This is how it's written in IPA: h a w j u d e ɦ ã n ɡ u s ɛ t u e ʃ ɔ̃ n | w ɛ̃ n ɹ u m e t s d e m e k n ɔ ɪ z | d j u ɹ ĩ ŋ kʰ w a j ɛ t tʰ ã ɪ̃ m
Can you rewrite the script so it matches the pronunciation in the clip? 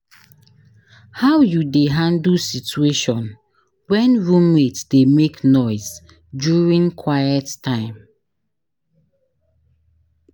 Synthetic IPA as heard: h a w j u d e ɦ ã n d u s i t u e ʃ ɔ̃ n | w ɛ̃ n ɹ u m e t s d e m e k n ɔ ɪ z | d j u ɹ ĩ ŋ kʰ w a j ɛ t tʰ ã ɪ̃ m